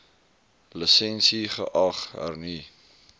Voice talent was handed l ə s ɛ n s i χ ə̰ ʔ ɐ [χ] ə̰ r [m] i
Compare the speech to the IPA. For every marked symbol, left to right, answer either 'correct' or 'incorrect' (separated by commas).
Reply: correct, incorrect